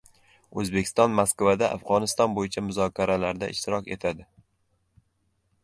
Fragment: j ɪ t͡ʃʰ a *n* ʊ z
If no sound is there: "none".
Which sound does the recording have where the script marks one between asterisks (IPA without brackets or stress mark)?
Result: m